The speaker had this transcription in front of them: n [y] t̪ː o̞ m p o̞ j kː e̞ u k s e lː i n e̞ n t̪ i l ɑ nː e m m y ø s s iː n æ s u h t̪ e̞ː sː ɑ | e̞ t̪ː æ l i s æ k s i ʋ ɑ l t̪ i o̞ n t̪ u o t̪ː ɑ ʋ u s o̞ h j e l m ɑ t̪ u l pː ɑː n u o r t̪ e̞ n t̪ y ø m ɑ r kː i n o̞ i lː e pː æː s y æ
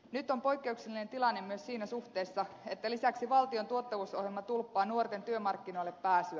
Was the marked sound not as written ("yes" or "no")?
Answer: no